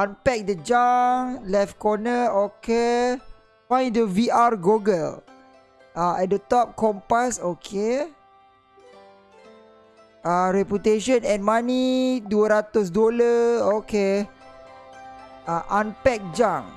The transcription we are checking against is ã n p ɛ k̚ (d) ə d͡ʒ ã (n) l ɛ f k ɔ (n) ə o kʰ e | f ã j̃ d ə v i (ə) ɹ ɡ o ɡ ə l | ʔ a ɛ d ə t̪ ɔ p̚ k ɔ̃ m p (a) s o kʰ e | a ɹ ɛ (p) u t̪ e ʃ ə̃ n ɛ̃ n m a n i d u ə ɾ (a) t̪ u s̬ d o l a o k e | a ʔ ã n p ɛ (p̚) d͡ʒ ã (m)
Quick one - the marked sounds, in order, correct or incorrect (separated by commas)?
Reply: correct, incorrect, correct, incorrect, correct, correct, correct, incorrect, incorrect